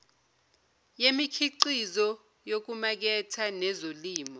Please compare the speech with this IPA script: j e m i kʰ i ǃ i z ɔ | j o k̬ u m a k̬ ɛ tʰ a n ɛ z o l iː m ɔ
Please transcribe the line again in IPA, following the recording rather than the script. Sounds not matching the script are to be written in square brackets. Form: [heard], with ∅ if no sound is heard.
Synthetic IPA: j e m i kʰ i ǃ i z ɔ | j o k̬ u m a k̬ ɛ tʰ a n ɛ z o l iː m ɔ